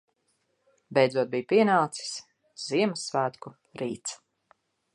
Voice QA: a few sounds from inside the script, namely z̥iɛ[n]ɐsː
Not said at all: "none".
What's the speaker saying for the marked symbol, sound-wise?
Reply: m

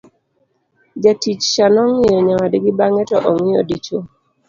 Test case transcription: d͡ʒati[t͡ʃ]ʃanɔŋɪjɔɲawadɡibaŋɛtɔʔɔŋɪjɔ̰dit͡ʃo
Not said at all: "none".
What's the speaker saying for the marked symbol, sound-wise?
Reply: t͡ʃ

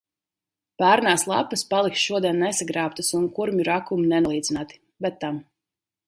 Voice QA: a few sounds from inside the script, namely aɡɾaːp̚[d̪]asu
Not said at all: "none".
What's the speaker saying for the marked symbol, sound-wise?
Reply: t̪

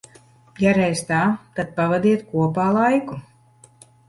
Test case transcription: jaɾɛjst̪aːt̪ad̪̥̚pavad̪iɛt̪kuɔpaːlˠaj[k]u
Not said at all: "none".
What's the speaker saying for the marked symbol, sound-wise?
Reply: k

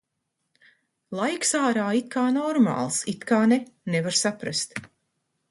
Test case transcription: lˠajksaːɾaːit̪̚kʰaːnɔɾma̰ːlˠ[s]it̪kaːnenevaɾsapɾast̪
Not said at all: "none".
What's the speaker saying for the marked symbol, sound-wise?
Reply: s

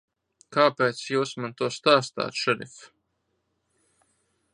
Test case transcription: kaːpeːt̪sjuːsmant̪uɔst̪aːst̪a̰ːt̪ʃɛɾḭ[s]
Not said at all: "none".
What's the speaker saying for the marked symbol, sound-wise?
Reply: f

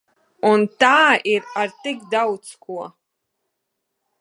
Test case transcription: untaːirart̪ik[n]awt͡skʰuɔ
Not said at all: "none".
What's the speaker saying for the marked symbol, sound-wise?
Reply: d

